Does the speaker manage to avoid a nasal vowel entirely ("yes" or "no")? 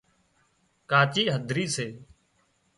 yes